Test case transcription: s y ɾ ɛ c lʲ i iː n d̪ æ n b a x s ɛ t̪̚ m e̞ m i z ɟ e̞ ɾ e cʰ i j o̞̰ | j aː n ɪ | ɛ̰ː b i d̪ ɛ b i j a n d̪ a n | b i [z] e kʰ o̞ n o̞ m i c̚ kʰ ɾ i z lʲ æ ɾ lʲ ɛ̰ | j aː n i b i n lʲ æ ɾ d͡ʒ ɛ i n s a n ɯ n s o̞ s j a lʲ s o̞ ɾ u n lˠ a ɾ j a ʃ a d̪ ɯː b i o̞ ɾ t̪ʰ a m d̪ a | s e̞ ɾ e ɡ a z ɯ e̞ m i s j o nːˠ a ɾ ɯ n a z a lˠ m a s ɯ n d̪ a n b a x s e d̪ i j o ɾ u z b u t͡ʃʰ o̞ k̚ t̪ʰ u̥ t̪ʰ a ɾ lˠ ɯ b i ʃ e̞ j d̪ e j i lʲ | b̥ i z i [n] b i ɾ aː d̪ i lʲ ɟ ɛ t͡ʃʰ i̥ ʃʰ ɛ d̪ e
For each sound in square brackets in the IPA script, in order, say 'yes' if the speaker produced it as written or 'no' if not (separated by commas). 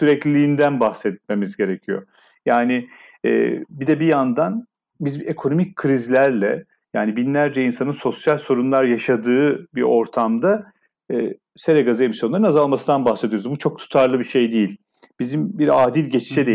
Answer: yes, no